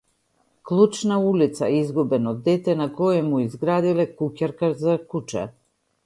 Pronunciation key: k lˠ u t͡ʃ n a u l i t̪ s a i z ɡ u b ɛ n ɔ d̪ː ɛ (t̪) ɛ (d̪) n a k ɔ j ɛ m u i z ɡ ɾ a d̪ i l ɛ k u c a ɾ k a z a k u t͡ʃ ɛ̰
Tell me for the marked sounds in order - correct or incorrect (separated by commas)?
correct, incorrect